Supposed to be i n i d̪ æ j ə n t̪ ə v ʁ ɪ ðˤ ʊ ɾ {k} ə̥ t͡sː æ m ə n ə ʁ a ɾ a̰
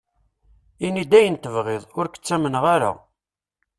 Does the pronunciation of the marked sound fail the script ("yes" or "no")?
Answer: no